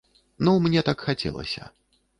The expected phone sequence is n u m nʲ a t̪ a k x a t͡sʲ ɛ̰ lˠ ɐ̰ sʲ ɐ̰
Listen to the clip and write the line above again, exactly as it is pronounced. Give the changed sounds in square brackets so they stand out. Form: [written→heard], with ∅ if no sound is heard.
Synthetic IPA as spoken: n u m nʲ [a→ɛ] t̪ a k x a t͡sʲ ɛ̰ lˠ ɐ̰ sʲ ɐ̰